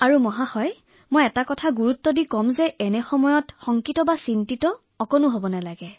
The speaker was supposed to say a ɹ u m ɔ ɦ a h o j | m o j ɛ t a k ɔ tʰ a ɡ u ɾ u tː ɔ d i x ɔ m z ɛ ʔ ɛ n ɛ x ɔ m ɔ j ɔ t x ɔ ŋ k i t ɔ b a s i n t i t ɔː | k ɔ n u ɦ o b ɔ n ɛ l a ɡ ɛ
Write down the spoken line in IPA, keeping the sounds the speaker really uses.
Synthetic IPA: a ɹ u m ɔ ɦ a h ɔ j | m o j ɛ t a k ɔ tʰ a ɡ u ɹ u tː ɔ d i k ɔ m z ɛ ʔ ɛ n ɛ x ɔ m ɔ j ɔ t x ɔ ŋ k i t ɔ b a s i n t i t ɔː | k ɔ n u ɦ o b ɔ n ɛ l a ɡ ɛ